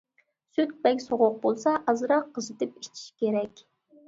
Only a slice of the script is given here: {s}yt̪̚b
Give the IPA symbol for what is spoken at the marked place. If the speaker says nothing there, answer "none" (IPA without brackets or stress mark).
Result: s